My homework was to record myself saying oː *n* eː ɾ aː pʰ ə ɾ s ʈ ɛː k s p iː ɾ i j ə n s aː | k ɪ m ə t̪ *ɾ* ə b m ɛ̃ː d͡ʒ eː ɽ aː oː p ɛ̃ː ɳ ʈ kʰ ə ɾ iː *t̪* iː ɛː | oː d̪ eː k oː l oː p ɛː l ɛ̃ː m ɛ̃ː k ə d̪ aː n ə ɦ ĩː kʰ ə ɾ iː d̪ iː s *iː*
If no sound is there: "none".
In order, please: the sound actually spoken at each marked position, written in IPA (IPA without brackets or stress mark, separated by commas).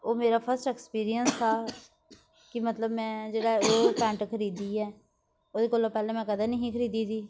m, l, d̪, iː